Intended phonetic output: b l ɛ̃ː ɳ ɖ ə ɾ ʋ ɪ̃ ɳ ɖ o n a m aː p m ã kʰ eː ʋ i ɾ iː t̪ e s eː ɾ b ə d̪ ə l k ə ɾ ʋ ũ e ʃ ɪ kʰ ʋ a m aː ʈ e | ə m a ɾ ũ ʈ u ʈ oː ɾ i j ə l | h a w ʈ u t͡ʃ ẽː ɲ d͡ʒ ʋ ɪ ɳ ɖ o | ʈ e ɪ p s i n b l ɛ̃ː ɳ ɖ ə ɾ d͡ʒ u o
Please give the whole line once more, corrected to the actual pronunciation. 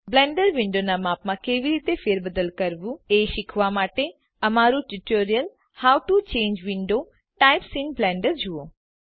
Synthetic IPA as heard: b l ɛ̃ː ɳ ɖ ə ɾ ʋ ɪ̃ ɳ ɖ o n a m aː p m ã k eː ʋ i ɾ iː t̪ e f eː ɾ b ə d̪ ə l k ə ɾ ʋ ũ e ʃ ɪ kʰ ʋ a m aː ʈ e | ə m a ɾ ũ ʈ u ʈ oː ɾ i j ə l | h a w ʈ u t͡ʃ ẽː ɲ d͡ʒ ʋ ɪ ɳ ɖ o | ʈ a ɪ p s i n b l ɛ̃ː ɳ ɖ ə ɾ d͡ʒ u o